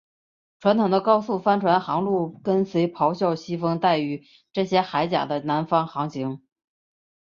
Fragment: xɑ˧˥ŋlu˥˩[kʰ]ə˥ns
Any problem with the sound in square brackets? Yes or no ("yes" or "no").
yes